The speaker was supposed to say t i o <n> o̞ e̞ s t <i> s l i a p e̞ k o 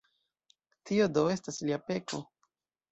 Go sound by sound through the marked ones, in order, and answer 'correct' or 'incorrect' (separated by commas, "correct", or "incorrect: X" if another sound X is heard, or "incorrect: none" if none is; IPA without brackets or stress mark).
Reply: incorrect: d, incorrect: a